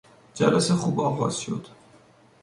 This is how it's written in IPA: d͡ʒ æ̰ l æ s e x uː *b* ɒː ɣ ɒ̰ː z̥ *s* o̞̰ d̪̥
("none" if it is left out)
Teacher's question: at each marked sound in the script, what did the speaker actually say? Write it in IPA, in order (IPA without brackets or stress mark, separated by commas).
b, ʃ